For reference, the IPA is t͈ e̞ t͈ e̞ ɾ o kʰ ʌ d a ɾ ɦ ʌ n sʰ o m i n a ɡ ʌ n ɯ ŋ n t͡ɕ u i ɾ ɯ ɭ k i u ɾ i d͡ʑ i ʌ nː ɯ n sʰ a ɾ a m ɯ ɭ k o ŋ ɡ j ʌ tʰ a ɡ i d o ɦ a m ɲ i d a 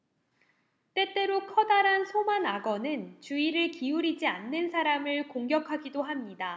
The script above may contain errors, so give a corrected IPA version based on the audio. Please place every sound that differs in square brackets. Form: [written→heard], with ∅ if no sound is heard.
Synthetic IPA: t͈ e̞ t͈ e̞ ɾ o kʰ ʌ d a ɾ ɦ [ʌ→a] n sʰ o m [i→a] n a ɡ ʌ n ɯ [ŋ→∅] n t͡ɕ u i ɾ ɯ ɭ k i u ɾ i d͡ʑ i [ʌ→a] nː ɯ n sʰ a ɾ a m ɯ ɭ k o ŋ ɡ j ʌ [tʰ→kʰ] a ɡ i d o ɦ a m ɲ i d a